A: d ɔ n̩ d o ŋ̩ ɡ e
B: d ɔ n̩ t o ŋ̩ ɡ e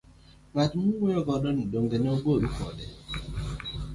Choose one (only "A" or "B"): A